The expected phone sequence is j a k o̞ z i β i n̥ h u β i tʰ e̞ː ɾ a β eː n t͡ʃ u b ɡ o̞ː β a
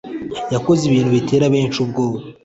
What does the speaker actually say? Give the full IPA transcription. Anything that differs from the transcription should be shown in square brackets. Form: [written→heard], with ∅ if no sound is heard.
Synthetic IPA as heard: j a k o̞ z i β [i→iː] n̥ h u β i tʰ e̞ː ɾ a β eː n t͡ʃ u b ɡ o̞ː β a

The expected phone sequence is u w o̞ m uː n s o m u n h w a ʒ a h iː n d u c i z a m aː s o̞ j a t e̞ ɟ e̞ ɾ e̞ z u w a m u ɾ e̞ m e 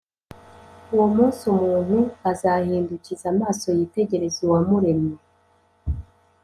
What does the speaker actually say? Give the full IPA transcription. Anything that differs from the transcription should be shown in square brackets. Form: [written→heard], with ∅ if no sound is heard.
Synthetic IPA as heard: u w o̞ m uː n s [o→u] m [u→uː] n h [w→u] a [ʒ→z] a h iː n d u c i z a m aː s o̞ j [a→i] t e̞ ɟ e̞ ɾ e̞ z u w a m u ɾ e̞ m e

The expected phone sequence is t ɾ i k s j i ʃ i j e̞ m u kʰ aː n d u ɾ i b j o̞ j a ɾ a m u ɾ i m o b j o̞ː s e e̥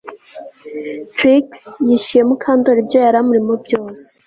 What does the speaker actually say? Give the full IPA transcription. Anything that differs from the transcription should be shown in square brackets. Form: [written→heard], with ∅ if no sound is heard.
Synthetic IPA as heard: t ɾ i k s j i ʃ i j e̞ m u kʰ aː n d [u→o] ɾ i b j o̞ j a ɾ a m u ɾ i m o b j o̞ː s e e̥

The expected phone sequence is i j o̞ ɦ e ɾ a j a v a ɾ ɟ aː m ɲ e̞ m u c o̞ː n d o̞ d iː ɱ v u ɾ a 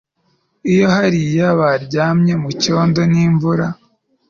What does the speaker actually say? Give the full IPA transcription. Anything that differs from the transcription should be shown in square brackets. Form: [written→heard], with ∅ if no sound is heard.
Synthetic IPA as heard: i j o̞ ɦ [e→a] ɾ [a→i] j a [v→β] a ɾ ɟ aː m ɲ e̞ m u c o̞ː n d o̞ [d→n] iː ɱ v u ɾ a

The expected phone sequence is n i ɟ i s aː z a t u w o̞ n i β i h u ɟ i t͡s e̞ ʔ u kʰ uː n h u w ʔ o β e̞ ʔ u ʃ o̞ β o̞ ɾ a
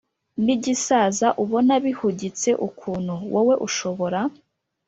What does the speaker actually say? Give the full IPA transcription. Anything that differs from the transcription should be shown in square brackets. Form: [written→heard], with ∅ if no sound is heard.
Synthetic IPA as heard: n i ɟ i s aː z a [t→ʔ] u [w→β] o̞ n [i→a] β i h u ɟ i t͡s e̞ ʔ u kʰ uː n h u w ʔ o [β→w] e̞ ʔ u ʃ o̞ β o̞ ɾ a

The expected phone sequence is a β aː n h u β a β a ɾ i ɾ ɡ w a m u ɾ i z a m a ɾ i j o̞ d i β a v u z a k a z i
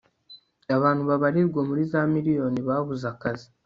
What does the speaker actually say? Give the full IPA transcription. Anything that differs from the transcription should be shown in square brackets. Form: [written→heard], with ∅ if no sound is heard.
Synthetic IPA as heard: a β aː n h u β a β a ɾ i ɾ ɡ w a m u ɾ i z a m [a→i] ɾ i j o̞ [d→n] i β a [v→β] u z a k a z i

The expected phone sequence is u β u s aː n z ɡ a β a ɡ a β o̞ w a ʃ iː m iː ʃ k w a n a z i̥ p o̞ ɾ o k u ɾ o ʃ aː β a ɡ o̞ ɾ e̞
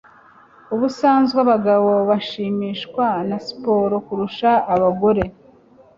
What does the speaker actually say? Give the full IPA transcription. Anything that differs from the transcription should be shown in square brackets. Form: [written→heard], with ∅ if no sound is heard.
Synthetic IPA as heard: u β u s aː n z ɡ a β a ɡ a β o̞ [w→β] a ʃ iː m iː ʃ k w a n a [z→s] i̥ p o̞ ɾ o k u ɾ [o→u] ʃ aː β a ɡ o̞ ɾ e̞

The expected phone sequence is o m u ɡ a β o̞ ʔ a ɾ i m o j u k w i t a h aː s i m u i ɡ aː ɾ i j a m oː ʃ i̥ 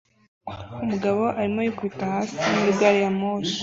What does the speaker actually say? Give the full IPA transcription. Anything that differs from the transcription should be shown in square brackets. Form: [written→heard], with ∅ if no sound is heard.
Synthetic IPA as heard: [o→u] m u ɡ a β o̞ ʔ a ɾ i m o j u k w i t a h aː s i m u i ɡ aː ɾ i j a m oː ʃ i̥

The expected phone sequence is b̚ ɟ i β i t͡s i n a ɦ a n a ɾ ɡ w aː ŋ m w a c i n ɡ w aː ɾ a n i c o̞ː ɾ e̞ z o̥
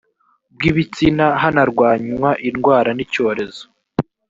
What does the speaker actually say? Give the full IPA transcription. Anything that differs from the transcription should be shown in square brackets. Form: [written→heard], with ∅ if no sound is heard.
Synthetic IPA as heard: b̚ [ɟ→ɡ] i β i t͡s i n a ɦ a n a ɾ ɡ w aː [ŋ→ɲ] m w a [c→ʔ] i n ɡ w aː ɾ a n i c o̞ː ɾ e̞ z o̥

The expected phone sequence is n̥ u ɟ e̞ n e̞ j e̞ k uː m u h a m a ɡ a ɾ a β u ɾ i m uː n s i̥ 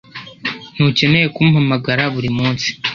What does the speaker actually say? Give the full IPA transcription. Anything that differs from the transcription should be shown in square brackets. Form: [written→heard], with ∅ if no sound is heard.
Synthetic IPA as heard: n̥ u [ɟ→c] e̞ n e̞ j e̞ k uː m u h a m a ɡ a ɾ a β u ɾ i m uː n s i̥

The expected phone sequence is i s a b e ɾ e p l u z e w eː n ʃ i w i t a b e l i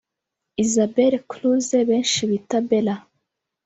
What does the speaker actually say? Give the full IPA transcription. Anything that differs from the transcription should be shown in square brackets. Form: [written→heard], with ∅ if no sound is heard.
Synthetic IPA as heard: i [s→z] a b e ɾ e [p→k] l u z e [w→β] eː n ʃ i [w→β] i t a b e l [i→a]

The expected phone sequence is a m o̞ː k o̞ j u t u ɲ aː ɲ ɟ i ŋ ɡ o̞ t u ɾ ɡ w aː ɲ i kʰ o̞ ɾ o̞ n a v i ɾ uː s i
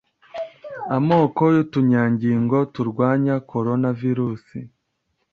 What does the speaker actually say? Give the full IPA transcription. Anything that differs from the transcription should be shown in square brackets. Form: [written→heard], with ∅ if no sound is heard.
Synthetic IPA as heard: a m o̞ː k o̞ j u t u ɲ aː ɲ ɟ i ŋ ɡ o̞ t u ɾ ɡ w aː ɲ [i→a] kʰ o̞ ɾ o̞ n a v i ɾ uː s i

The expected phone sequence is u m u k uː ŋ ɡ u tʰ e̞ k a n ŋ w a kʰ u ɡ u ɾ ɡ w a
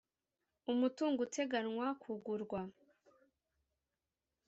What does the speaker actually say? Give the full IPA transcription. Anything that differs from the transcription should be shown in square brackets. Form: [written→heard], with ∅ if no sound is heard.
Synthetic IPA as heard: u m u [k→t] uː ŋ ɡ u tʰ e̞ [k→ɡ] a n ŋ w a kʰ u ɡ u ɾ ɡ w a

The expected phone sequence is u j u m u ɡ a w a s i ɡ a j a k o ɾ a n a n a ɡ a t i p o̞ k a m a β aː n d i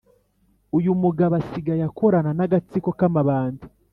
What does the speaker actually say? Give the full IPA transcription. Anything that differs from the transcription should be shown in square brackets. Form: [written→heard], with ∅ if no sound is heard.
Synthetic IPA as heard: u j u m u ɡ a [w→β] a s i ɡ a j a k o ɾ a n a n a ɡ a [t→t͡s] i [p→k] o̞ k a m a β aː n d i

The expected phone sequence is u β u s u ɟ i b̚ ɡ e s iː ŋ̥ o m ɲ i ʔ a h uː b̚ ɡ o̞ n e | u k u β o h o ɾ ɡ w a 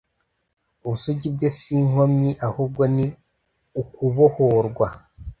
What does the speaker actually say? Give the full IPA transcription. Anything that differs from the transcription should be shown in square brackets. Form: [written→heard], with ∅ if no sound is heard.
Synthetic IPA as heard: u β u s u ɟ i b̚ ɡ e s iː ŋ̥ o m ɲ i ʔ a h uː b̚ ɡ o̞ n [e→i] | u k u β o h o ɾ ɡ w a

